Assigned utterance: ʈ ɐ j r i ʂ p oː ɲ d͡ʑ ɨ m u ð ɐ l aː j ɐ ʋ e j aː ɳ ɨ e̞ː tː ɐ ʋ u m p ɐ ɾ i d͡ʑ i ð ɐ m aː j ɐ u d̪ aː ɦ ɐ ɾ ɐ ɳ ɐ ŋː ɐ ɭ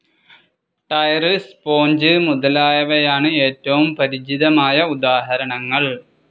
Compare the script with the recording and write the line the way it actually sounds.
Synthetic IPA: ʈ ɐ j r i s p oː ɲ d͡ʑ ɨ m u ð ɐ l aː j ɐ ʋ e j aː ɳ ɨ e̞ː tː ɐ ʋ u m p ɐ ɾ i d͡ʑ i ð ɐ m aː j ɐ u d̪ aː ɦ ɐ ɾ ɐ ɳ ɐ ŋː ɐ ɭ